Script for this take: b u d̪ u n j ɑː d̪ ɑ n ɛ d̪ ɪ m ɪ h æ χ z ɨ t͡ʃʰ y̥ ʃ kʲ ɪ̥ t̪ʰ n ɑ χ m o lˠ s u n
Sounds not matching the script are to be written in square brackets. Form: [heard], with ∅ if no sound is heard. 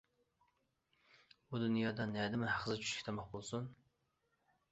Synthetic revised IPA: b u d̪ u n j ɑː d̪ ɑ n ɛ d̪ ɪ m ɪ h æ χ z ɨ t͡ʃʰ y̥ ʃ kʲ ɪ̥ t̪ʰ [m] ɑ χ [b] o lˠ s u n